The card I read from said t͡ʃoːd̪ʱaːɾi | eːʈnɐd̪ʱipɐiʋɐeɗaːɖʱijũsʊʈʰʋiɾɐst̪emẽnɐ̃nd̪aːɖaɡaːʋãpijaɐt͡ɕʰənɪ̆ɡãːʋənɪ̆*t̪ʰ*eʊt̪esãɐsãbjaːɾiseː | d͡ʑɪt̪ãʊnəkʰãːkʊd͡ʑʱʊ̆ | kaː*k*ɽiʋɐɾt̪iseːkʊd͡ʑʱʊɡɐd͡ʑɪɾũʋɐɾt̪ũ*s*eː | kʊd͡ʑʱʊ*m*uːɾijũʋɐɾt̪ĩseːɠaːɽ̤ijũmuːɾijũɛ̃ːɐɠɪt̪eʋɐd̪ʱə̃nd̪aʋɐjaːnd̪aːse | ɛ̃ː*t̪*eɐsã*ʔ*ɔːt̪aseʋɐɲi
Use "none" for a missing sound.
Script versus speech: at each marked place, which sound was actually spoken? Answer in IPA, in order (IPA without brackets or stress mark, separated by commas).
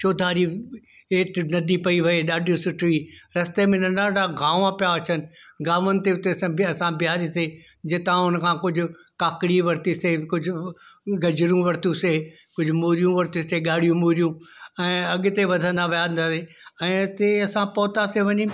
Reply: t̪, k, s, m, t̪, p